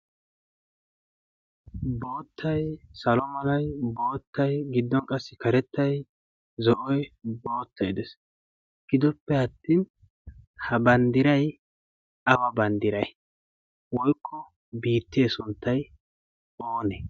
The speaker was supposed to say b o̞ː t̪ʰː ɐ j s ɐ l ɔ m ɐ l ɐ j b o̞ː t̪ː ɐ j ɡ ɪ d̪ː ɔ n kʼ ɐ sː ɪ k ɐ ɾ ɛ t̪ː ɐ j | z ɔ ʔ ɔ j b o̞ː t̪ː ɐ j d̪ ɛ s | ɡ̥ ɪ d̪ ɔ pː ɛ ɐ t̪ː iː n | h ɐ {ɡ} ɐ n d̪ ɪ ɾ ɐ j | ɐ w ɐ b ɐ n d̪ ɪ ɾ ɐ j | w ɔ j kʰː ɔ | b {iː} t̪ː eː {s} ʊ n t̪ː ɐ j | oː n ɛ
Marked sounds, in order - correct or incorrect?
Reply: incorrect: b, correct, correct

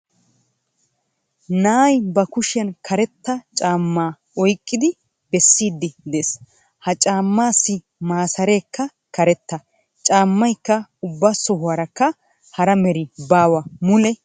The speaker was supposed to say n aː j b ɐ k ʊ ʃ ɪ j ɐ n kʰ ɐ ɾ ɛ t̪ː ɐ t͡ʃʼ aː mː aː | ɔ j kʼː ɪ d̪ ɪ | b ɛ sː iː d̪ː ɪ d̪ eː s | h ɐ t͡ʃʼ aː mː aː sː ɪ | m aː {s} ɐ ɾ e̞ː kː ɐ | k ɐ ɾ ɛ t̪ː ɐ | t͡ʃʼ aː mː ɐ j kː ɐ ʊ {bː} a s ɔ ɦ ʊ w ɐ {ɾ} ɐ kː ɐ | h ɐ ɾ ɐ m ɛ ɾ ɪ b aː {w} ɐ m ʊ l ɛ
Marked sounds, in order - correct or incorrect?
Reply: correct, correct, correct, correct

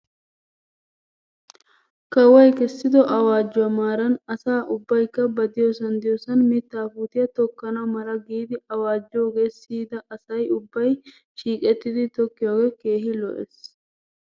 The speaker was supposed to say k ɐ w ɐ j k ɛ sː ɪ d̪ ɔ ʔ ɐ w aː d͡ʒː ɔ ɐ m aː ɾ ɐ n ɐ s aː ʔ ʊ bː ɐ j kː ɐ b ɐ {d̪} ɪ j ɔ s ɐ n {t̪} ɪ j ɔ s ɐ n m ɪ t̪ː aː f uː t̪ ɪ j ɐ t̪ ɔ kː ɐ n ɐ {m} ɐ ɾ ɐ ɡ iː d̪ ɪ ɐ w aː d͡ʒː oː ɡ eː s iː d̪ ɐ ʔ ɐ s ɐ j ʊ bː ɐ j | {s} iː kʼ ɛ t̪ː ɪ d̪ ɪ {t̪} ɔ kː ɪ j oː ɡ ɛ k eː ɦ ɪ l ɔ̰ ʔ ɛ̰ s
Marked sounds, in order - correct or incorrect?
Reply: correct, incorrect: d̪, correct, incorrect: ʃ, correct

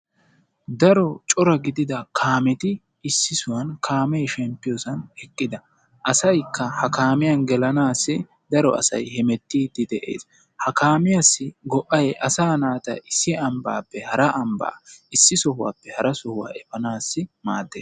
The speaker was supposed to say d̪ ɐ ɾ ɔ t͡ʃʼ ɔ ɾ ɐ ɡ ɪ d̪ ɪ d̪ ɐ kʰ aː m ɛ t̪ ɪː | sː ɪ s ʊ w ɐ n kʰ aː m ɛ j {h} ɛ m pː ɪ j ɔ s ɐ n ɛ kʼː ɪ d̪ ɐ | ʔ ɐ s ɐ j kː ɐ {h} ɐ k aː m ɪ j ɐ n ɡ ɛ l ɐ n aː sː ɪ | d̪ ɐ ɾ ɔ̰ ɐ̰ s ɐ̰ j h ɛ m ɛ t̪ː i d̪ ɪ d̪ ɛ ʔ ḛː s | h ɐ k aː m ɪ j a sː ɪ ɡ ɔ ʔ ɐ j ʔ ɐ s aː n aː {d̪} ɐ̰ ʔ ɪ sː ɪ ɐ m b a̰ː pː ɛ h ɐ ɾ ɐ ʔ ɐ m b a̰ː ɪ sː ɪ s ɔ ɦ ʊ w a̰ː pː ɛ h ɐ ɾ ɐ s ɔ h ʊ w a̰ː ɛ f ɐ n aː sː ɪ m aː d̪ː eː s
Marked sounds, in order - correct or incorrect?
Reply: incorrect: ʃ, correct, incorrect: t̪

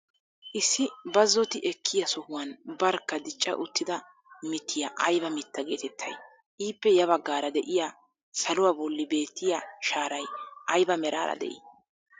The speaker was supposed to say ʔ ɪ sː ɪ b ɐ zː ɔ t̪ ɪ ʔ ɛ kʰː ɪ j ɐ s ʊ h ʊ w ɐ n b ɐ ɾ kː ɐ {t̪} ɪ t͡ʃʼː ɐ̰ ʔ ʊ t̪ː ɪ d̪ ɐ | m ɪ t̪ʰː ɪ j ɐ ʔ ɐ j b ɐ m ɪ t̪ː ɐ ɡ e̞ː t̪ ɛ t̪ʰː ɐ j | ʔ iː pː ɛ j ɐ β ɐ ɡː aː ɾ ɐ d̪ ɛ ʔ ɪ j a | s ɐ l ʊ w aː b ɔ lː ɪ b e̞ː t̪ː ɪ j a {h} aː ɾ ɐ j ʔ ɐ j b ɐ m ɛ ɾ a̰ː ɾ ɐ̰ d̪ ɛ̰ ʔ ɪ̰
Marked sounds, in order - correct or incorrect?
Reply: incorrect: d̪, incorrect: ʃ

